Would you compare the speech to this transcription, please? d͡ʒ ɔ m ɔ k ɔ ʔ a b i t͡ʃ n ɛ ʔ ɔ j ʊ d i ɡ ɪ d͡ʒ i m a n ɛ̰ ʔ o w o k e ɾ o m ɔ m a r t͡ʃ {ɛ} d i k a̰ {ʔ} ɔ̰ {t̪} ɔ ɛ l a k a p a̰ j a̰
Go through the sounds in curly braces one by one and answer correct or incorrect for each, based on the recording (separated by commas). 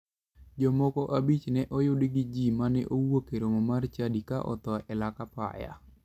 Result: incorrect, correct, correct